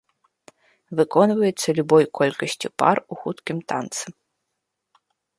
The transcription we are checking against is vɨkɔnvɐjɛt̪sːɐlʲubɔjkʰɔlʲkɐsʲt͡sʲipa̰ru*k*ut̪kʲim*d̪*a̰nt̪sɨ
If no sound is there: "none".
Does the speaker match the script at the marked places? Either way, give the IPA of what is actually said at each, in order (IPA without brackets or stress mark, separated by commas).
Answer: x, t̪